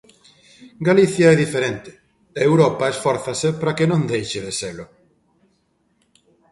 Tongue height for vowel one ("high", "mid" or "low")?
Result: low